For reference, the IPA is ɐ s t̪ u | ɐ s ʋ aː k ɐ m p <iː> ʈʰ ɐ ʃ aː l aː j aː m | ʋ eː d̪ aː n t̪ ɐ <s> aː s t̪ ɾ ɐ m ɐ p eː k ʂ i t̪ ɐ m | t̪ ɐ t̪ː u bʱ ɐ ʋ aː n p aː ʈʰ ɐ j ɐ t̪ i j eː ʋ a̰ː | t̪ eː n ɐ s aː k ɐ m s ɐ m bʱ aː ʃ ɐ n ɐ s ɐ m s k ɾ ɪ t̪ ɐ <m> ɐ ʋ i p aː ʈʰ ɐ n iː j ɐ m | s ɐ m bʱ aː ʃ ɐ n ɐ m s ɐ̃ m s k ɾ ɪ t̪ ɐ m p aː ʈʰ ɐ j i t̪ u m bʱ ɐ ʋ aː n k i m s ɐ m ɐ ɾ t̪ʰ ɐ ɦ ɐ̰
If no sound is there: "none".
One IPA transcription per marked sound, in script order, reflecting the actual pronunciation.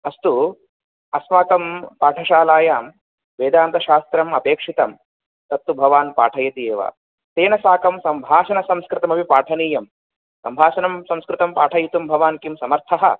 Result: aː, ʃ, m

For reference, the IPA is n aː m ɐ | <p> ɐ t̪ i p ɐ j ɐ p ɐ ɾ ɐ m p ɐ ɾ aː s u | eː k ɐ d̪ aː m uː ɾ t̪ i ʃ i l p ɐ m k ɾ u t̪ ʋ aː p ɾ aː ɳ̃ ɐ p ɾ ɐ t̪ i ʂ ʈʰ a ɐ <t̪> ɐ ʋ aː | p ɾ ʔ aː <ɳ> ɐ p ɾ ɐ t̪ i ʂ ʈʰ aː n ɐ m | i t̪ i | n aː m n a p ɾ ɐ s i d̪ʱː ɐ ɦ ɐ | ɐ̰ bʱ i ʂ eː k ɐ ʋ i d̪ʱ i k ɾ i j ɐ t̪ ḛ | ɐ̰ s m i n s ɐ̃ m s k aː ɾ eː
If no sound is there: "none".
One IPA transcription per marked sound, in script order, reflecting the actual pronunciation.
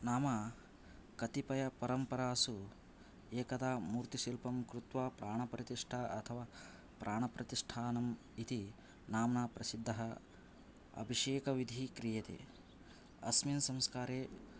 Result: k, t̪ʰ, ɳ

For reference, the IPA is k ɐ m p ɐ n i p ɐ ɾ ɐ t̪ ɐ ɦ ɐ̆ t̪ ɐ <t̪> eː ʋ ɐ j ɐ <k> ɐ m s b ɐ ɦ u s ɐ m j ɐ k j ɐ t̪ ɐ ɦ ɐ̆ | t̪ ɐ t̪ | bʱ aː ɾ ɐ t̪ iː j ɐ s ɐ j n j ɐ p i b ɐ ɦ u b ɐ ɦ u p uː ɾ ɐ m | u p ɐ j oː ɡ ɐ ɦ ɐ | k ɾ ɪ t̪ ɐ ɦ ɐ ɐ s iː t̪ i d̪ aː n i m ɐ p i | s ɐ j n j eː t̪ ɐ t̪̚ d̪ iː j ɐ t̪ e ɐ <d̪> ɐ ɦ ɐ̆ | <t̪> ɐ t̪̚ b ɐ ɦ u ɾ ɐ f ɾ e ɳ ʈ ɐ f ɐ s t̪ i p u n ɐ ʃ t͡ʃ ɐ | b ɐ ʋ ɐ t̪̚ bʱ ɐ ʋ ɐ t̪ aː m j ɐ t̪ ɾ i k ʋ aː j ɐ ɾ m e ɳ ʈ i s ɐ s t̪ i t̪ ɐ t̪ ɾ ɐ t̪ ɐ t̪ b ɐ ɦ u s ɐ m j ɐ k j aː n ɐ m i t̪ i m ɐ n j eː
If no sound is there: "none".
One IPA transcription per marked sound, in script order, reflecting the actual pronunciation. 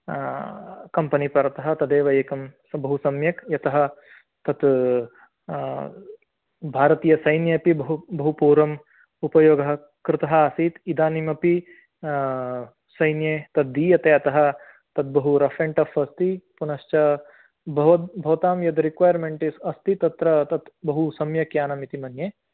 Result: d̪, k, t̪, t̪

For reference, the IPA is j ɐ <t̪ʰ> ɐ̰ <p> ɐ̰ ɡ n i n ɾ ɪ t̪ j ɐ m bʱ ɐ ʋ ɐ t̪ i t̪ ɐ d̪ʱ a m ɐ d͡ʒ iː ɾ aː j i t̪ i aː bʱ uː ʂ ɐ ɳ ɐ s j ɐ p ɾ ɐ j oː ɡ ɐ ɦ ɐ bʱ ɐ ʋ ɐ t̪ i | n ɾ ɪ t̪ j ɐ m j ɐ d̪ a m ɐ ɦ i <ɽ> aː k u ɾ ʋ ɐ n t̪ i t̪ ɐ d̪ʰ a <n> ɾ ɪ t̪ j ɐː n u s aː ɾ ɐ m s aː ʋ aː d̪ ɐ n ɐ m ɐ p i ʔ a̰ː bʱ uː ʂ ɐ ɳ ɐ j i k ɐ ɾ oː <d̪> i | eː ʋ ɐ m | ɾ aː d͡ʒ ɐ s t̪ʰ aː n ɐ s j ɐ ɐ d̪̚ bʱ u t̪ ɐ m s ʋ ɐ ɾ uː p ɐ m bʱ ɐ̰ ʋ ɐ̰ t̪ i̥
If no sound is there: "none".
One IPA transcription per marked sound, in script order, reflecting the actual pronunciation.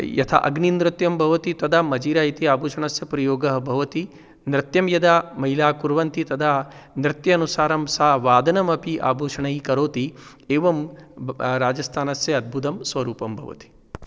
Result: t̪ʰ, ʔ, l, n, t̪

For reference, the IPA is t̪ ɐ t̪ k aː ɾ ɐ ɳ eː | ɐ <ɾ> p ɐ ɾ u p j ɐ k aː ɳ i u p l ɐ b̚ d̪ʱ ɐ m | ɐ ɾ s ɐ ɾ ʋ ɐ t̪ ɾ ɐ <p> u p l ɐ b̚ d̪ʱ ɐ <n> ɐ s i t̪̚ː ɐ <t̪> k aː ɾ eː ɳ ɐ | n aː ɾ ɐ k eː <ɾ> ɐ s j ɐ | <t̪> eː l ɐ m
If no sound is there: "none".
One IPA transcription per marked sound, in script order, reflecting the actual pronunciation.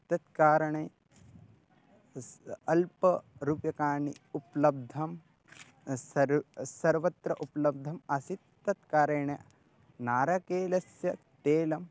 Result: l, ʔ, m, t̪, l, t̪

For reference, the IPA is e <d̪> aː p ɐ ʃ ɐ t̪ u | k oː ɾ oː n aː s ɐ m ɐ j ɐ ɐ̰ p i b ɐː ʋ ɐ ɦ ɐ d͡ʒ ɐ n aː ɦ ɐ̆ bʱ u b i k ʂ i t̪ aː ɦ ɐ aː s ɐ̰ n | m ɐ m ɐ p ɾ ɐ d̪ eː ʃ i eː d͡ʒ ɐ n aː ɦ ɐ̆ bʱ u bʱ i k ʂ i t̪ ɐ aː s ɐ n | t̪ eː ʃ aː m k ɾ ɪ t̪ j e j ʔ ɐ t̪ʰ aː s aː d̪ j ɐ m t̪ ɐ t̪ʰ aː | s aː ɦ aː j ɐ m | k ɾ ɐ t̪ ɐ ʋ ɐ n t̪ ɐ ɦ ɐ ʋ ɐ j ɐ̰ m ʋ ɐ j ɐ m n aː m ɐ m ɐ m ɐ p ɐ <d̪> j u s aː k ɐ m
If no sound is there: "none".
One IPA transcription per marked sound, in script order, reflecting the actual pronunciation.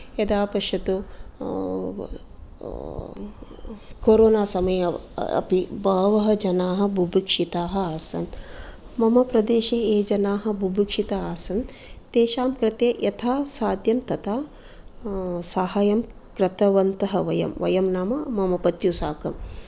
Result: d̪, t̪

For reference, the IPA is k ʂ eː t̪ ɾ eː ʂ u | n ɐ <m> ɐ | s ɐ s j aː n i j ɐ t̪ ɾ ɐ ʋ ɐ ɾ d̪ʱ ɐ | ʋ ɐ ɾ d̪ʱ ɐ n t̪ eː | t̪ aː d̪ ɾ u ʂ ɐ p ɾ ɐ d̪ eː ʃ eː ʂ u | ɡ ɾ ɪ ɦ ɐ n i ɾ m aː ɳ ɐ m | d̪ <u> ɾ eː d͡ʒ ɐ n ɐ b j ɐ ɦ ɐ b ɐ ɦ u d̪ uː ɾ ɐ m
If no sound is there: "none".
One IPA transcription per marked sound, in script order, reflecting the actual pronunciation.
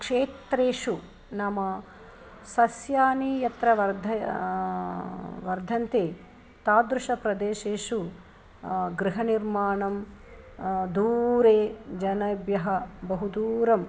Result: m, uː

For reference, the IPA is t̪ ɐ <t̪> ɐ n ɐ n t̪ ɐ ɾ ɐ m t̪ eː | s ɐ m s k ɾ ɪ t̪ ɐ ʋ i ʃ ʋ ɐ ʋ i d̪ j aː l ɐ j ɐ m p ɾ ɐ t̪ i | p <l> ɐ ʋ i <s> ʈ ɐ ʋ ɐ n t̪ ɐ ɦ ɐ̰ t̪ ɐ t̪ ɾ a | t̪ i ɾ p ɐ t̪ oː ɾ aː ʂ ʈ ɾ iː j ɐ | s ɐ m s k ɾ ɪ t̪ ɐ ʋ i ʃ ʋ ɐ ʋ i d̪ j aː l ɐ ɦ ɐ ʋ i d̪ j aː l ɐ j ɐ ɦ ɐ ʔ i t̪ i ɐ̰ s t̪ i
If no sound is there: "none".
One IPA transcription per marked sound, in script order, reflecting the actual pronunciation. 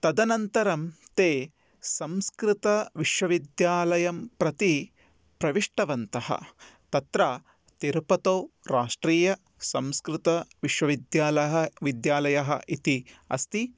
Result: d̪, ɾ, ʂ

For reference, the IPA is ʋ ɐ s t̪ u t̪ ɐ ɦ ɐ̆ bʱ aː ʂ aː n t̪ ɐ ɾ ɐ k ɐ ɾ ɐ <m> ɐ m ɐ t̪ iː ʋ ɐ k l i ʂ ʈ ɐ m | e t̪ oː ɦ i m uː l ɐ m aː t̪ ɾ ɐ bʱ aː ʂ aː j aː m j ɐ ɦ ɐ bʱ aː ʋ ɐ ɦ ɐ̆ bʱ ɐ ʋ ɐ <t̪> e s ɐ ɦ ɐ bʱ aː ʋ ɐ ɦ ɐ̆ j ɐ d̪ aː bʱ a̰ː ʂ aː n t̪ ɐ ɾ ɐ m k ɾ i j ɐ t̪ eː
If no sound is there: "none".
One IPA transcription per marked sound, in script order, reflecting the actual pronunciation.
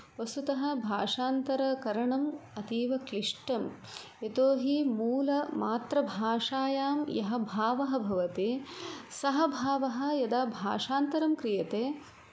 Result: ɳ, t̪

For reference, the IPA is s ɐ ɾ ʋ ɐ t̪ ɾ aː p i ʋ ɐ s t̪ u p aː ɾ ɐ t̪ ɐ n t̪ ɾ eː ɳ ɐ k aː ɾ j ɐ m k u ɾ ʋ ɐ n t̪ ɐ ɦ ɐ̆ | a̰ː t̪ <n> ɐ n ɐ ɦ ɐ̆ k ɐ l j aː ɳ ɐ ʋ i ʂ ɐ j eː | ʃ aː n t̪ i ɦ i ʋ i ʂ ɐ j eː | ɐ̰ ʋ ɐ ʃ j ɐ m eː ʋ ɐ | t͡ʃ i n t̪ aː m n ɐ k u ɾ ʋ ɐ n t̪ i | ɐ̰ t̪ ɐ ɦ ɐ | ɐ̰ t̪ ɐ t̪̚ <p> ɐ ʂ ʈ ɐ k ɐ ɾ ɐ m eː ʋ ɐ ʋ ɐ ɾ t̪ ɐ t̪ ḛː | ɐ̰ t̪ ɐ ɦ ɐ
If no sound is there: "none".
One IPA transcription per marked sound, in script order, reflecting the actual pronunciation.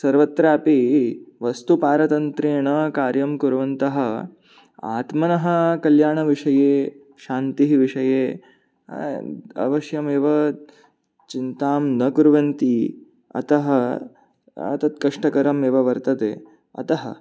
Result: m, k

